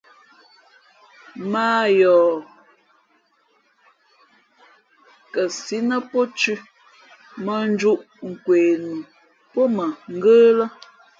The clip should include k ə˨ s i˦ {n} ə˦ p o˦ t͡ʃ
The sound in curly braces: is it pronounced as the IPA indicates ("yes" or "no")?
yes